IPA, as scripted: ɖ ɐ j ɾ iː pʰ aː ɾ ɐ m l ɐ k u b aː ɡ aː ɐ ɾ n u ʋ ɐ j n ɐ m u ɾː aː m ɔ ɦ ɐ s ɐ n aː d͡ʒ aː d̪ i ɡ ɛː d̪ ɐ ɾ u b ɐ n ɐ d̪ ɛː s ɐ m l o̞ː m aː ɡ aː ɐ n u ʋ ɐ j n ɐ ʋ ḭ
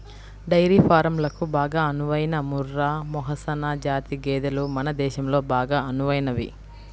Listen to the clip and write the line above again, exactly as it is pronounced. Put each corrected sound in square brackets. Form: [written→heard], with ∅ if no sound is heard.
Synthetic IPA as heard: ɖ ɐ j ɾ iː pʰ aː ɾ ɐ m l ɐ k u b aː ɡ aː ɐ [ɾ→∅] n u ʋ ɐ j n ɐ m u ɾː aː m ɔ ɦ ɐ s ɐ n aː d͡ʒ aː [d̪→t̪] i ɡ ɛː d̪ ɐ [ɾ→l] u [b→m] ɐ n ɐ d̪ ɛː [s→ʃ] ɐ m l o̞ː [m→b] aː ɡ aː ɐ n u ʋ ɐ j n ɐ ʋ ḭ

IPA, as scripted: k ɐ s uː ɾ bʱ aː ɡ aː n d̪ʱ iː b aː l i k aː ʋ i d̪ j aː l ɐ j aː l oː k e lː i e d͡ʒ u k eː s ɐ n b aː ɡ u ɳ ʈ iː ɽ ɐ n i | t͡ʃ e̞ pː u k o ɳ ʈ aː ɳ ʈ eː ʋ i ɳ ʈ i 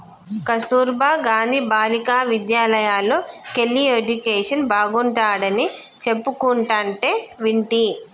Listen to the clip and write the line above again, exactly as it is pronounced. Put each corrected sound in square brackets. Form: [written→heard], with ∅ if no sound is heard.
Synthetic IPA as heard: k ɐ s uː ɾ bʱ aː ɡ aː n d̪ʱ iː b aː l i k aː ʋ i d̪ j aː l ɐ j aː l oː k e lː i e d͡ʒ u k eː [s→ʂ] ɐ n b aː ɡ u ɳ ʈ [iː→aː] ɽ ɐ n i | t͡ʃ e̞ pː u k [o→u] ɳ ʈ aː ɳ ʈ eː ʋ i ɳ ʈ i

